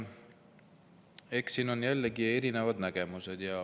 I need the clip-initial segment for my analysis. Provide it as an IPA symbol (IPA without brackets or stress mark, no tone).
e̞